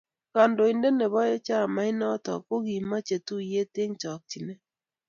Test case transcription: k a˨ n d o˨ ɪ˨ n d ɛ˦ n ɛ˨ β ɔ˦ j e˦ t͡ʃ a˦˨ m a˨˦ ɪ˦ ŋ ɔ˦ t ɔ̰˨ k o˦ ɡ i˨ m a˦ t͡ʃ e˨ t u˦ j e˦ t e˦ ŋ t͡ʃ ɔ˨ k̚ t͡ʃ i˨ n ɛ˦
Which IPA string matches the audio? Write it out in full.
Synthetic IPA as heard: k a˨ n d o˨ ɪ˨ n d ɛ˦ n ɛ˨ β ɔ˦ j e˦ t͡ʃ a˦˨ m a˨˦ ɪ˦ n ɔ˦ t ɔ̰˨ k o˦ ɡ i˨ m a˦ t͡ʃ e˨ t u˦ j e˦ t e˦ ŋ t͡ʃ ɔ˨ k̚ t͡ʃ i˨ n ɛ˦